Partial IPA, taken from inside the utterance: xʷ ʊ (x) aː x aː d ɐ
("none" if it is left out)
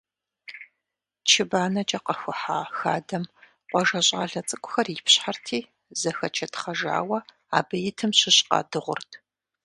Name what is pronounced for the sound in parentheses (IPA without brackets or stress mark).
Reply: ħ